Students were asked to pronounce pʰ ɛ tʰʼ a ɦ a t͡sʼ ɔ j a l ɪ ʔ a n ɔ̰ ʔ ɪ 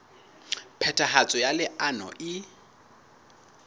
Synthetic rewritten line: pʰ ɛ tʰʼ a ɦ a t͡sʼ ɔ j a l ɪ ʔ a n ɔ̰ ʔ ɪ